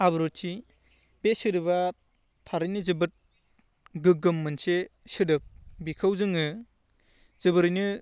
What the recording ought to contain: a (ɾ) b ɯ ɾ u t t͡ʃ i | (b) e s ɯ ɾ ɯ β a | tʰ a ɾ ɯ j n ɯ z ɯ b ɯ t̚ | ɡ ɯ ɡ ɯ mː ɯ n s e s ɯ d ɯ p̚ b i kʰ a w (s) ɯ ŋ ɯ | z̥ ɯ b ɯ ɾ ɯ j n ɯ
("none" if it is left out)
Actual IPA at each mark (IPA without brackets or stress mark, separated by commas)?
none, b, z